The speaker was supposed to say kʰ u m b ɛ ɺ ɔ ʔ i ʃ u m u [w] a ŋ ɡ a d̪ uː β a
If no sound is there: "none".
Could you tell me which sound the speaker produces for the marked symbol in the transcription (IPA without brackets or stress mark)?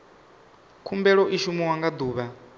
w